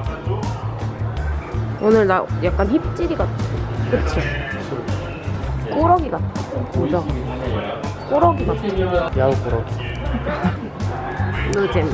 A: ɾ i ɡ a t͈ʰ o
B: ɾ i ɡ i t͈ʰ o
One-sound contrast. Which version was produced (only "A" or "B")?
A